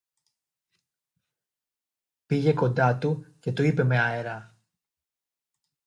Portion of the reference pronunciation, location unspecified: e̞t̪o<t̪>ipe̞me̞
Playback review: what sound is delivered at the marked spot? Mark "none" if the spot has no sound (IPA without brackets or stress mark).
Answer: none